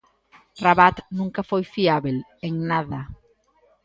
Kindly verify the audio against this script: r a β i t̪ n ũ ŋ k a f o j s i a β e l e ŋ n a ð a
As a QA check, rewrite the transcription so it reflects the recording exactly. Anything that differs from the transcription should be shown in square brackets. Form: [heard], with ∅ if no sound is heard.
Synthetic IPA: r a β [a] t̪ n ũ ŋ k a f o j [f] i a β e l e ŋ n a ð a